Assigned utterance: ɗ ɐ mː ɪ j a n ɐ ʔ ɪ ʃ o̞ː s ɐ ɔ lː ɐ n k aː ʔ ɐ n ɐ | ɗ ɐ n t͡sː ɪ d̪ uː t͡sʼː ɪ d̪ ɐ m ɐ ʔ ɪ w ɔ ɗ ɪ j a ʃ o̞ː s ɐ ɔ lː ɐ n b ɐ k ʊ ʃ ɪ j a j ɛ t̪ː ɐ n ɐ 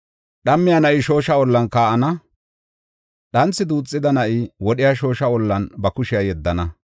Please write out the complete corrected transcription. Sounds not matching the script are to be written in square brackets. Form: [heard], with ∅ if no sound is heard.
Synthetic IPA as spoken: ɗ ɐ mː ɪ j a n ɐ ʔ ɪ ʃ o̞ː [ʃ] ɐ ɔ lː ɐ n k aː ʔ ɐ n ɐ | ɗ ɐ n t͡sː ɪ d̪ uː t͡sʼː ɪ d̪ ɐ [n] ɐ ʔ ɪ w ɔ ɗ ɪ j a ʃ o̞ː [ʃ] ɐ ɔ lː ɐ n b ɐ k ʊ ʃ ɪ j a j ɛ [d̪ː] ɐ n ɐ